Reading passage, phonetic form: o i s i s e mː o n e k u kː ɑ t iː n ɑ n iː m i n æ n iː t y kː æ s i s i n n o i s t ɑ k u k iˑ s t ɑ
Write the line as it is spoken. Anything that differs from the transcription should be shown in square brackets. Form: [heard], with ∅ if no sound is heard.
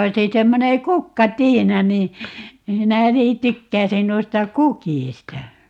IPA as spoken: o i s i s e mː o n e k u kː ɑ t iː n ɑ n iː m i n æ n iː t y kː æ [∅] i s i n n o i s t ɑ k u k iˑ s t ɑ